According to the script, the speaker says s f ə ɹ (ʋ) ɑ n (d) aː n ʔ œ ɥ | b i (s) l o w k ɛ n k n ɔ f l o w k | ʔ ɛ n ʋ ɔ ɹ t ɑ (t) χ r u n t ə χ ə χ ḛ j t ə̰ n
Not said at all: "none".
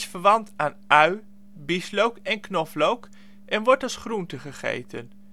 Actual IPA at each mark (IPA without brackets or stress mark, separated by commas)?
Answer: ʋ, t, s, s